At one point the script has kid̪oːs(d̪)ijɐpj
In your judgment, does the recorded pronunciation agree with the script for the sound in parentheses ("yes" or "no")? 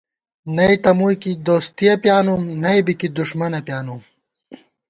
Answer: no